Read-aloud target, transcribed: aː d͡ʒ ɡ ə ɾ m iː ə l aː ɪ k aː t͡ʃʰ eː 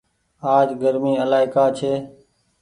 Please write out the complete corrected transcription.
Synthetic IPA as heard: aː d͡ʒ ɡ ə ɾ m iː ə l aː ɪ k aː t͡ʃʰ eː